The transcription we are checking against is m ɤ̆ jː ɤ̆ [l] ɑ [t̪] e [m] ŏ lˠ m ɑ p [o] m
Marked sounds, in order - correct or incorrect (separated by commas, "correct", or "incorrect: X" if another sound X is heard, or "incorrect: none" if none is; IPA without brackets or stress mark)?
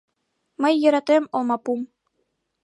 incorrect: ɾ, correct, correct, incorrect: u